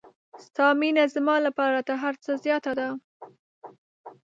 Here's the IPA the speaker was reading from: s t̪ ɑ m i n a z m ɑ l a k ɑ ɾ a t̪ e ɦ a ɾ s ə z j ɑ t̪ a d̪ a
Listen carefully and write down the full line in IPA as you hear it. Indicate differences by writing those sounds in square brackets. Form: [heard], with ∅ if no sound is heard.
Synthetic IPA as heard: s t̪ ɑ m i n a z m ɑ l a [p] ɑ ɾ a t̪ [a] ɦ a ɾ [t͡s] ə z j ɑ t̪ a d̪ a